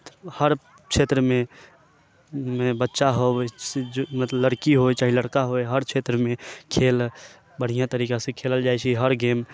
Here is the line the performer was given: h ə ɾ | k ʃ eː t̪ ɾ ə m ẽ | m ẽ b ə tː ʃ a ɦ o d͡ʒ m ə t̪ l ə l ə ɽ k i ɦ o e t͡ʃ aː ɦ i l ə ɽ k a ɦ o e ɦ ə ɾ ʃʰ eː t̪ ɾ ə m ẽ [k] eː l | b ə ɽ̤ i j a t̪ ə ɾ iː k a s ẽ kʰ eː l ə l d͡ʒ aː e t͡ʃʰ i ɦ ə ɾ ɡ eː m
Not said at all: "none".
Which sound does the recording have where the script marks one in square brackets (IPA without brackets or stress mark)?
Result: kʰ